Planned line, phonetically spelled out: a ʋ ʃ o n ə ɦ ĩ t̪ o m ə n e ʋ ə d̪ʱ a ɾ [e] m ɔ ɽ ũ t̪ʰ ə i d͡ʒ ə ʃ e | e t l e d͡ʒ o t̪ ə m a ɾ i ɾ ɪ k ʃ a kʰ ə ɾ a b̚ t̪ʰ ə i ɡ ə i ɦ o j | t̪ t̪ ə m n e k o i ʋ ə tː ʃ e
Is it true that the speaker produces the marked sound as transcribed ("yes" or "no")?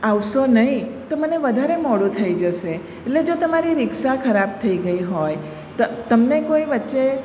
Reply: yes